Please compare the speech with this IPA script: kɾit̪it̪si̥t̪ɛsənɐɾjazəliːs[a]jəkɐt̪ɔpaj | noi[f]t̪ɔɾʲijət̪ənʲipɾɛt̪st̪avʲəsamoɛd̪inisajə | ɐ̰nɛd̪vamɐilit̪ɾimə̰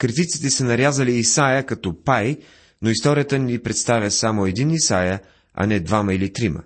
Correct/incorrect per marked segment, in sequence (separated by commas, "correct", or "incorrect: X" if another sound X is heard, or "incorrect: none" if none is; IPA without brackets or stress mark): correct, incorrect: s